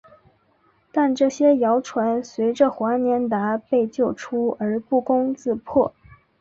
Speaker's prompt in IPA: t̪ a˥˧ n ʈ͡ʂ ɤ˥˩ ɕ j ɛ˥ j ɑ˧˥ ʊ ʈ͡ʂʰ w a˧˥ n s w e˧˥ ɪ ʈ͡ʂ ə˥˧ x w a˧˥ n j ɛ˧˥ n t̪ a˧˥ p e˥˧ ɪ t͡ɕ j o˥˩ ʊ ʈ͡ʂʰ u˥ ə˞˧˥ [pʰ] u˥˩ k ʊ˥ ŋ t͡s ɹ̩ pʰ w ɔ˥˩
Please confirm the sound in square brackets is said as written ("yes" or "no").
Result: no